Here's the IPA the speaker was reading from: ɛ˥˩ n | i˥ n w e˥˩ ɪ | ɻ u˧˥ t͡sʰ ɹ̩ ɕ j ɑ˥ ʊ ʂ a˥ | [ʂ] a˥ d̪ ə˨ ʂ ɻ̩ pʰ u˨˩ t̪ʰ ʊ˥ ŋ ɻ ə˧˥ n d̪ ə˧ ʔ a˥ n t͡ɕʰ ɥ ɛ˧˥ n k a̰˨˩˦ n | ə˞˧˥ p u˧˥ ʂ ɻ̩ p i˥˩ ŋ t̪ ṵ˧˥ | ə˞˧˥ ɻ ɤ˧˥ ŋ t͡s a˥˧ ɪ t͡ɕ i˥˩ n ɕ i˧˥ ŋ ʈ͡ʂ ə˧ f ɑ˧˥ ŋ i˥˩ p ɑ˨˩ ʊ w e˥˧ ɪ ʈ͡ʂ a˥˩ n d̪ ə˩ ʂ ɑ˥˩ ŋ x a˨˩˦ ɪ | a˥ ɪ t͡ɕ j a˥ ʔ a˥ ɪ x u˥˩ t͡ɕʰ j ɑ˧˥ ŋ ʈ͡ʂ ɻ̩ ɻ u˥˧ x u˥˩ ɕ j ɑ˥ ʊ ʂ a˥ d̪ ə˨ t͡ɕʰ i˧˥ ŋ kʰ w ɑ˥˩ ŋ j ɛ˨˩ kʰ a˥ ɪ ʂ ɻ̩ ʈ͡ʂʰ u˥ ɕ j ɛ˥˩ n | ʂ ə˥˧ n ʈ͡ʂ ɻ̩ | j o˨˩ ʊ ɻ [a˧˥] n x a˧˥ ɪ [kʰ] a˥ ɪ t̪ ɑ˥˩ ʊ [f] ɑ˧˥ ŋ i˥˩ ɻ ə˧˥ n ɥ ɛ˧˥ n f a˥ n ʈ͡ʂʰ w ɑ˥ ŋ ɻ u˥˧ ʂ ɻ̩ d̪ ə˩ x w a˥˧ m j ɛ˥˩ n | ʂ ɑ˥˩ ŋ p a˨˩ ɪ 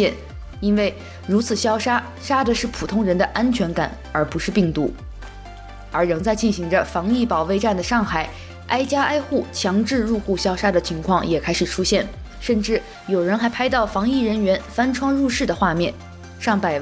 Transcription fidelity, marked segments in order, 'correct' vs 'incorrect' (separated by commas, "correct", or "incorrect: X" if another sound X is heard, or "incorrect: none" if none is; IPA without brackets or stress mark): correct, incorrect: ə˧˥, incorrect: pʰ, correct